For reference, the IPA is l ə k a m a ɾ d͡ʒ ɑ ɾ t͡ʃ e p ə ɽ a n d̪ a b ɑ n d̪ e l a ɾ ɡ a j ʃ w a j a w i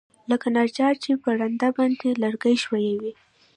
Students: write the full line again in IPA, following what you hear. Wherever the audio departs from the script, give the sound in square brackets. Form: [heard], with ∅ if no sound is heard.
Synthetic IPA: l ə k a [n] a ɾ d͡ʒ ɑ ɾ t͡ʃ e p ə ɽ a n d̪ a b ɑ n d̪ e l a ɾ ɡ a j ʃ w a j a w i